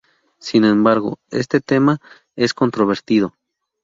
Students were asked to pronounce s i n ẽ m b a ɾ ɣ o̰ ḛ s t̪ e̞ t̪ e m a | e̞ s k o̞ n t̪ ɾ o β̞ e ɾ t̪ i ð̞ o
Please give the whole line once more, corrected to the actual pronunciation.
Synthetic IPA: s i n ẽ m b a ɾ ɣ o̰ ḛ s t̪ e̞ t̪ e m a | e̞ s k o̞ n t̪ ɾ o β̞ e ɾ t̪ i ð̞ o